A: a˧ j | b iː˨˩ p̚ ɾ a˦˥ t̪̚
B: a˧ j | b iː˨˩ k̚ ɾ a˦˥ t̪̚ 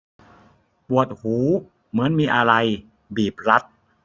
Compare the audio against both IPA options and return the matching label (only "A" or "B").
A